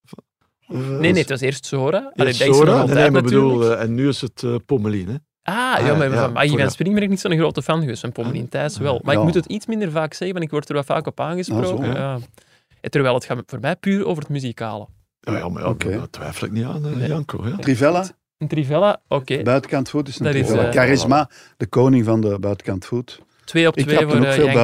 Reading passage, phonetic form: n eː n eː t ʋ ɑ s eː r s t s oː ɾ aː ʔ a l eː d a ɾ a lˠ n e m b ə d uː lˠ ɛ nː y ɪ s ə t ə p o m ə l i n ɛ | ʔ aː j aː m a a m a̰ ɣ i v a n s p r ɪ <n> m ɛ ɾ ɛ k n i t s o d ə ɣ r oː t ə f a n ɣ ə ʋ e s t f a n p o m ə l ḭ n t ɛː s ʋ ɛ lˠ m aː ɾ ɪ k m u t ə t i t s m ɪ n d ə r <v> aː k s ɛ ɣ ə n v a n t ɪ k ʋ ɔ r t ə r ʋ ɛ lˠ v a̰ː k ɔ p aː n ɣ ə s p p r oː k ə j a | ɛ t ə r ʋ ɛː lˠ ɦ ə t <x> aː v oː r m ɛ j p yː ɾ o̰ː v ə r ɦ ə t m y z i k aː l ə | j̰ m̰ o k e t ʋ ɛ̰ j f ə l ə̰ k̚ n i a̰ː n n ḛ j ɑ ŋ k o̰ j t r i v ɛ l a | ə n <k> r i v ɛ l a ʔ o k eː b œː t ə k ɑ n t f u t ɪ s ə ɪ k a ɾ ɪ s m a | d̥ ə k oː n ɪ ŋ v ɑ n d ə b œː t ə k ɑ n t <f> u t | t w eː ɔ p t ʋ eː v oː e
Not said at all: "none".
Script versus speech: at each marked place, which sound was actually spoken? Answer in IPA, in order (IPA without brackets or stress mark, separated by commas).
ŋ, v, x, t, f